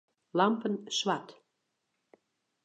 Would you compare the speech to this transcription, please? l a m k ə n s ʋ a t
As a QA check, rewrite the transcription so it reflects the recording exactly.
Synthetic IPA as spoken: l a m p ə n s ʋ a t